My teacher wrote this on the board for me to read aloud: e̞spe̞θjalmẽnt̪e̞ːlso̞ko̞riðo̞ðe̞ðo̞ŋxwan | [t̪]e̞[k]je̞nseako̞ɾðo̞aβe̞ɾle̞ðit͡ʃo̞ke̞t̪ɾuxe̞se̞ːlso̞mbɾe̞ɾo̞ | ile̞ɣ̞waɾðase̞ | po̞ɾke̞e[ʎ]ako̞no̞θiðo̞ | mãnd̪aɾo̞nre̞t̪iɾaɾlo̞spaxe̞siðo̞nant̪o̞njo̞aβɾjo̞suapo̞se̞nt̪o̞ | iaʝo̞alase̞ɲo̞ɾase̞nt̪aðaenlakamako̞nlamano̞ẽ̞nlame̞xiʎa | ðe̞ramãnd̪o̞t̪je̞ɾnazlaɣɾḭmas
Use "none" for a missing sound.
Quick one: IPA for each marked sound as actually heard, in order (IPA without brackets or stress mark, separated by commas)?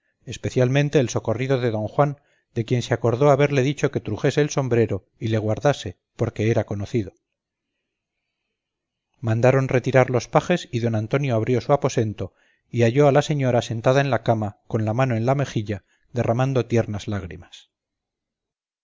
d̪, k, ɾ